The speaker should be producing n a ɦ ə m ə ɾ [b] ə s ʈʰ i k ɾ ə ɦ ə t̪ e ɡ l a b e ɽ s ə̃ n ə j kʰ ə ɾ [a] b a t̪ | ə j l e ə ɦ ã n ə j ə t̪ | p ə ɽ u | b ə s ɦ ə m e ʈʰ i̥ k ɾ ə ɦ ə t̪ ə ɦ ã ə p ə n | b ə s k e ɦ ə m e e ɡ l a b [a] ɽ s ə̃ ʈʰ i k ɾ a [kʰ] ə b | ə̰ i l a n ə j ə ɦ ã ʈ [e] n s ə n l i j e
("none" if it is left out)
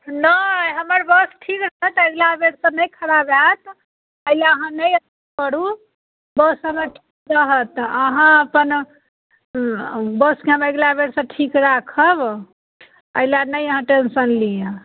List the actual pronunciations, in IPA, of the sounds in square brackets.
b, a, e, kʰ, e

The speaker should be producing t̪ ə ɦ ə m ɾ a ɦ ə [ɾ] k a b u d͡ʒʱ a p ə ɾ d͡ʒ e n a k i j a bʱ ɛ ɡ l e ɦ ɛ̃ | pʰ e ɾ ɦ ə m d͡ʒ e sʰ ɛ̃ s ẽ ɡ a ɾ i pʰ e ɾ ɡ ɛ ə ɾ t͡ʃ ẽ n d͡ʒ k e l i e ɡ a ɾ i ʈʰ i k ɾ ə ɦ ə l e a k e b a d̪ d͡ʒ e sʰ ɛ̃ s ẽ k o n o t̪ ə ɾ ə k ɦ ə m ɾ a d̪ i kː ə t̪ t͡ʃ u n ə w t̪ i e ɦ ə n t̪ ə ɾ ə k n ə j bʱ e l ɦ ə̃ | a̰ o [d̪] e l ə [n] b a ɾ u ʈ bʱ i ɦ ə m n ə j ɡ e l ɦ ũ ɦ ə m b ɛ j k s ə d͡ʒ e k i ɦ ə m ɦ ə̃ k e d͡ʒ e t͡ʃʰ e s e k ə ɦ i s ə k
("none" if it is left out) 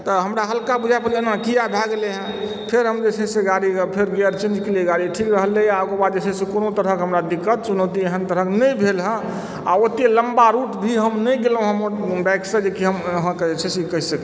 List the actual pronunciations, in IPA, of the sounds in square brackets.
l, t̪, m

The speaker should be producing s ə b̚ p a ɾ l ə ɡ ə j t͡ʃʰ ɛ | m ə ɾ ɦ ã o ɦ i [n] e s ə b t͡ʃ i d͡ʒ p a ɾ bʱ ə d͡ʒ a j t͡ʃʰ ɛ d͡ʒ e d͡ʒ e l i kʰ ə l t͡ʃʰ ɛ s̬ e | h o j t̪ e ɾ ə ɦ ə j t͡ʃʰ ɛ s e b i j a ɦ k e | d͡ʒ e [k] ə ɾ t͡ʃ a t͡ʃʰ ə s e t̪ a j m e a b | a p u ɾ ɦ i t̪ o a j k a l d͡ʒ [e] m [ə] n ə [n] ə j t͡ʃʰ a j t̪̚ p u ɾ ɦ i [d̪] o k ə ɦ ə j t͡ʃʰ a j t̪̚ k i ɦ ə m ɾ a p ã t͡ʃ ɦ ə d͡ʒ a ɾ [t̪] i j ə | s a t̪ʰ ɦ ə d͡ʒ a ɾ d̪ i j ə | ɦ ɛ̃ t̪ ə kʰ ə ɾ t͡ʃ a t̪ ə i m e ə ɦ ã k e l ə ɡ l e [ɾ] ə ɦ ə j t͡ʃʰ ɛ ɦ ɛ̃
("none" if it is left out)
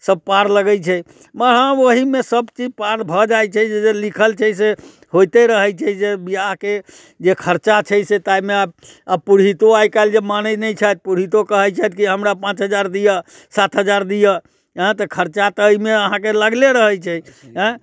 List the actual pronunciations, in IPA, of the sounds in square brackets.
m, kʰ, e, a, n, t̪, d̪, ɾ

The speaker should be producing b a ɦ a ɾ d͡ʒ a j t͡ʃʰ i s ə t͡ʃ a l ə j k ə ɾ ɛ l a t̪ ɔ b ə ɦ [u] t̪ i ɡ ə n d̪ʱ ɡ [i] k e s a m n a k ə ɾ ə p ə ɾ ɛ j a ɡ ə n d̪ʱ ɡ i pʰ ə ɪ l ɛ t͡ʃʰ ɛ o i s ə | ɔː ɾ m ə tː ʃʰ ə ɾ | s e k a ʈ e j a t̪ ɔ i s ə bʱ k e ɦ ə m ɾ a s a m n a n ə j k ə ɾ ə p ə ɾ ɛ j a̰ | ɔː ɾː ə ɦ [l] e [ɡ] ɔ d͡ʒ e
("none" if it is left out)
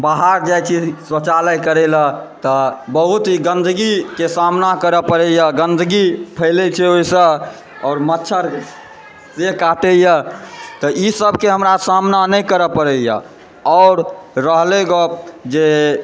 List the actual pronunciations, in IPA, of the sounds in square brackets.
u, i, l, ɡ

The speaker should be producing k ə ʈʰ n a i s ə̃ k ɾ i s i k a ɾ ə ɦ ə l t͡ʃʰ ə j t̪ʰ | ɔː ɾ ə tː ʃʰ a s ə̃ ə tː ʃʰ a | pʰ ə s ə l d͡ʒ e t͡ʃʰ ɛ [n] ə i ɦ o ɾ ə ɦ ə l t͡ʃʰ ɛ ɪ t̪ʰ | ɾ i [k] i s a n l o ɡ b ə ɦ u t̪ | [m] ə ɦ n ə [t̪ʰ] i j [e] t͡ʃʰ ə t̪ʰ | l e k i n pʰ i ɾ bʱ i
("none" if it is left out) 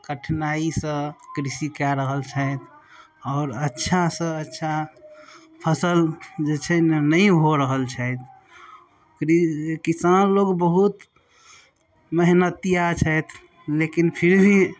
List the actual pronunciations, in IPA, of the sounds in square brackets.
n, k, m, t̪, a

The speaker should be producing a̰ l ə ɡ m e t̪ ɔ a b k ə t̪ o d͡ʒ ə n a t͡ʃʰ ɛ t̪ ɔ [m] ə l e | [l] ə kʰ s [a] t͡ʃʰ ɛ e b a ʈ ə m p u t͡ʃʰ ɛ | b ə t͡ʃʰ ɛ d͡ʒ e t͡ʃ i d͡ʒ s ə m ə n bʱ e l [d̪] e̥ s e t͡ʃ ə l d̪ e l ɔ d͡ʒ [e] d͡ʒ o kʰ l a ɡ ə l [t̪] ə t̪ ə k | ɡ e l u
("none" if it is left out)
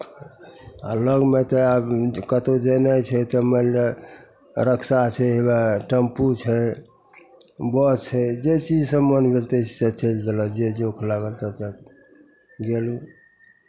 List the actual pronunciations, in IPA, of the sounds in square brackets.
m, ɾ, a, t̪, e, t̪

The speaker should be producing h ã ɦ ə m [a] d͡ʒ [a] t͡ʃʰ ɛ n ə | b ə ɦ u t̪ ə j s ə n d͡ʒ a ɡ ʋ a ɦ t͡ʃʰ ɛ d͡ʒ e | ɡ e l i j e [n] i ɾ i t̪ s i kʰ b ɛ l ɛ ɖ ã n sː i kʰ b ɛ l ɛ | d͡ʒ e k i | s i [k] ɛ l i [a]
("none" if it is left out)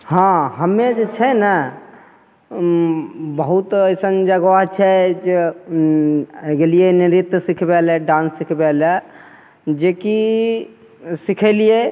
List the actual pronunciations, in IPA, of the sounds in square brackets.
e, e, n, kʰ, e

